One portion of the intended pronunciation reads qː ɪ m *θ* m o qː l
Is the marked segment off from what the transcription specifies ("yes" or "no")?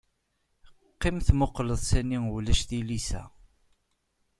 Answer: no